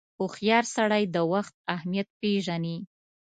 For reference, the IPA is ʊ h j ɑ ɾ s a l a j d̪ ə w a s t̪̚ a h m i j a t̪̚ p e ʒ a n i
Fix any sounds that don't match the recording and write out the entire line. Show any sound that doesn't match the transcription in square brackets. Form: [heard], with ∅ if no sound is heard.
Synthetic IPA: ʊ [x] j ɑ ɾ s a [ɽ] a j d̪ ə w a [x] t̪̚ a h m i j a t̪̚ p e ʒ a n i